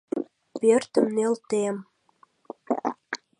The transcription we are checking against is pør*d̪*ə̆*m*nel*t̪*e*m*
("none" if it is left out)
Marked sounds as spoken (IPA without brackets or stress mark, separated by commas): t̪, m, t̪, m